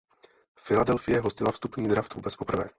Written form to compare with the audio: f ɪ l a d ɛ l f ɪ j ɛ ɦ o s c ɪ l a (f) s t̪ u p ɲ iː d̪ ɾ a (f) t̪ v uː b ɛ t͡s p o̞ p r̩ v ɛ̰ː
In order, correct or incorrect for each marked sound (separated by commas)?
correct, correct